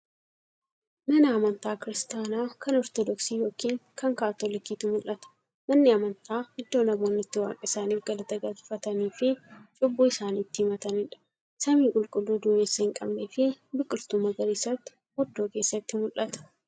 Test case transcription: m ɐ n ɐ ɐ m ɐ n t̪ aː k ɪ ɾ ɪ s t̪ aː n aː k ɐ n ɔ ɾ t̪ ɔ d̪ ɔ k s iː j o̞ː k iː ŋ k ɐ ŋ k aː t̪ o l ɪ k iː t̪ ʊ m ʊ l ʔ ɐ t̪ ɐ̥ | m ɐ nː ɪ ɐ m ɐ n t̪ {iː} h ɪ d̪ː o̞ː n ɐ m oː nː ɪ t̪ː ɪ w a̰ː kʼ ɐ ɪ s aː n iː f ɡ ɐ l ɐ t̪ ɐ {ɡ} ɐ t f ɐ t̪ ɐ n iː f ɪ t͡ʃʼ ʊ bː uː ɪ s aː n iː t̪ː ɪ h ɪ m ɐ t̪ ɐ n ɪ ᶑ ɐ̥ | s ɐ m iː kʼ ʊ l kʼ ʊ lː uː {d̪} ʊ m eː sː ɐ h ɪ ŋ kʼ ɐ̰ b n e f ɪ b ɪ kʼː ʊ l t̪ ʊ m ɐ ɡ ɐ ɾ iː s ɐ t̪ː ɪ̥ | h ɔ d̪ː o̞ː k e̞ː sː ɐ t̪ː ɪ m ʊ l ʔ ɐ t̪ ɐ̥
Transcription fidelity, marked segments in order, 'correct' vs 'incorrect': incorrect: aː, correct, correct

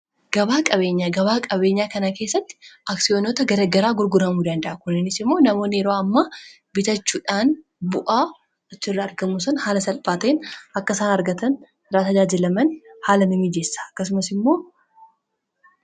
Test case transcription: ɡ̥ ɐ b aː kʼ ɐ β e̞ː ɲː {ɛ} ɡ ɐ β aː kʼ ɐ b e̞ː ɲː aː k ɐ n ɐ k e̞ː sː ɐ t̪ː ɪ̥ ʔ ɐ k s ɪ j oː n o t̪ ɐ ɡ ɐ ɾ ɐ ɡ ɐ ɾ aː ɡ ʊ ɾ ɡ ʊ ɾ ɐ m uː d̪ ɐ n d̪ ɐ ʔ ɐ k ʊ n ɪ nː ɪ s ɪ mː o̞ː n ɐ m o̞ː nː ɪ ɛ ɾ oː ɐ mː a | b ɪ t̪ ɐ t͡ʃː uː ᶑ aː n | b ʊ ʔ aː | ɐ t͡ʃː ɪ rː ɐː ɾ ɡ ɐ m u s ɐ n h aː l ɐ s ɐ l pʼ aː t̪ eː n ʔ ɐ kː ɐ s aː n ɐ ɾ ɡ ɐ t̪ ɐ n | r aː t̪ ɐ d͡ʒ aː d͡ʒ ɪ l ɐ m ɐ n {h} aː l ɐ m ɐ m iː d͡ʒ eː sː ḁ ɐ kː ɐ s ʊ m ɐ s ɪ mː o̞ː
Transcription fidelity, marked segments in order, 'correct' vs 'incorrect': incorrect: a, correct

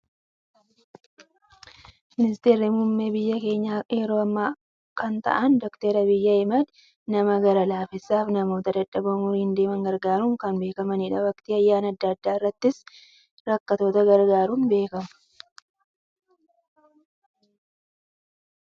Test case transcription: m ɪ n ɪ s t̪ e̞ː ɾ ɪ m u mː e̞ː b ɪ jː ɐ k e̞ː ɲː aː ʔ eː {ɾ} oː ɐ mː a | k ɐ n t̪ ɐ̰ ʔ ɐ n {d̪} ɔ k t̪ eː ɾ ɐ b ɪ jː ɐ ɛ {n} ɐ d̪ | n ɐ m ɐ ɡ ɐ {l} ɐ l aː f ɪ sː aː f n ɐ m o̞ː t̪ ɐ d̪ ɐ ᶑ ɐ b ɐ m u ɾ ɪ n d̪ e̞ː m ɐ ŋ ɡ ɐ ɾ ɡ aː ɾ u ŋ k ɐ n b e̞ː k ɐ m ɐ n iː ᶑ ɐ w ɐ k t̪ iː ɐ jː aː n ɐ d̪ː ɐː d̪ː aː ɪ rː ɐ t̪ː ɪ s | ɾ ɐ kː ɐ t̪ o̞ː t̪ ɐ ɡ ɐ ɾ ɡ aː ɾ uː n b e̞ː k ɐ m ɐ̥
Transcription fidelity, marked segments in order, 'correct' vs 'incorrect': correct, correct, incorrect: m, incorrect: ɾ

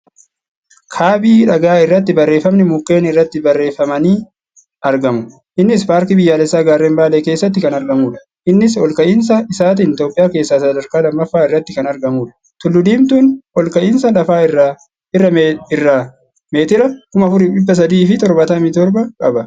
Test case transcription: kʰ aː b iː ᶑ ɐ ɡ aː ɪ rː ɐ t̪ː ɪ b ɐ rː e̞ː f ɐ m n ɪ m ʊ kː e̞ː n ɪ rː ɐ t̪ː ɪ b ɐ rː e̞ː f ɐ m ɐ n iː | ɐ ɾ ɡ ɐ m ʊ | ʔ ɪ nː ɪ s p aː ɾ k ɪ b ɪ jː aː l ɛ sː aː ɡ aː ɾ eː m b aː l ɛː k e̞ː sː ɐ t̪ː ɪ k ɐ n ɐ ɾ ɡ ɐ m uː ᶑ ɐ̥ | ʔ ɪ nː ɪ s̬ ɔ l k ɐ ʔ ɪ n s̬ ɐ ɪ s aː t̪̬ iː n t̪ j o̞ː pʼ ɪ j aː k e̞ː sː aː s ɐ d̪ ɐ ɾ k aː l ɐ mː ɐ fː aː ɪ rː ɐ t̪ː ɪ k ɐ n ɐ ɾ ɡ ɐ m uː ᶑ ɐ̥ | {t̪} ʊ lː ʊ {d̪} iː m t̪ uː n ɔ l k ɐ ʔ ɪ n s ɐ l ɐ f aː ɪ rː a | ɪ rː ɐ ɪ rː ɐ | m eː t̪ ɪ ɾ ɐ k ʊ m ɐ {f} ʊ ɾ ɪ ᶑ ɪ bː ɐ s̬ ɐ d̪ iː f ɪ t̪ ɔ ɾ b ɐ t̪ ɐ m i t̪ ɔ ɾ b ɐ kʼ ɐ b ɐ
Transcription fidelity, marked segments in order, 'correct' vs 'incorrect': correct, correct, correct

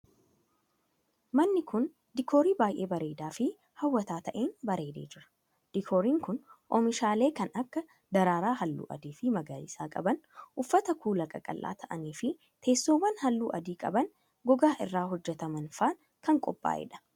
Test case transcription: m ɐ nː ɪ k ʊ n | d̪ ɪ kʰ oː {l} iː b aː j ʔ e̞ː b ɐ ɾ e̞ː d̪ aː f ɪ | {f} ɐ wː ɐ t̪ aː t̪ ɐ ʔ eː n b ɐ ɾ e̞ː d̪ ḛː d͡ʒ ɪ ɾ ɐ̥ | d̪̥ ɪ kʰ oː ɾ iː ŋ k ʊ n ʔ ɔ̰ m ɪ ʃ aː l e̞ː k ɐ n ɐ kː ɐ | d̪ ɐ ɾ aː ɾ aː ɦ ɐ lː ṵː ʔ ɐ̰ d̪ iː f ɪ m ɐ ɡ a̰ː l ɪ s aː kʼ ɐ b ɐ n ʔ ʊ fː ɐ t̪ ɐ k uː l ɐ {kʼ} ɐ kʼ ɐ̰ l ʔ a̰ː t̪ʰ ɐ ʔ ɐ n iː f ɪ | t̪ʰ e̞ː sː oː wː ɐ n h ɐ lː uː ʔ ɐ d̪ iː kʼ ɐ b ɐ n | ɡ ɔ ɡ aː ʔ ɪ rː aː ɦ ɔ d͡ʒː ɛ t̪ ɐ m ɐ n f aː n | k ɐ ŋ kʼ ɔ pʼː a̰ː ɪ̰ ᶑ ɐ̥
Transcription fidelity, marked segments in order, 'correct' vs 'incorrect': incorrect: ɾ, incorrect: h, correct

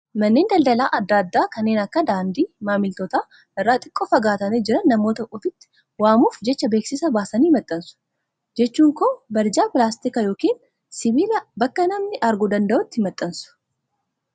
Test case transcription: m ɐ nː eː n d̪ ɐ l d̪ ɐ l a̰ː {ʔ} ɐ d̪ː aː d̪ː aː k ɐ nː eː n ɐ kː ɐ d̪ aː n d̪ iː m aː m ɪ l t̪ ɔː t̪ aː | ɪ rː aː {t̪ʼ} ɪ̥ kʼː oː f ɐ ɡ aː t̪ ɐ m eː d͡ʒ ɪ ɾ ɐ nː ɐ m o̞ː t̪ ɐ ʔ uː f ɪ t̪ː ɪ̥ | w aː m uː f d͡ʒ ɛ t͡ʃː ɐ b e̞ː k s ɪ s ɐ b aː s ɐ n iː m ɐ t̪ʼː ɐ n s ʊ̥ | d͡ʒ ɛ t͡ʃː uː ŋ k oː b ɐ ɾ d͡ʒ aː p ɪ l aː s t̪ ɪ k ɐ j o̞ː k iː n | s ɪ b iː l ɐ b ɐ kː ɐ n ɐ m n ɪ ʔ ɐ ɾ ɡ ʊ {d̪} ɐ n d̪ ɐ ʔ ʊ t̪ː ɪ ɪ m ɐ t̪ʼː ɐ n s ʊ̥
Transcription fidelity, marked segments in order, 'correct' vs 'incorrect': correct, correct, correct

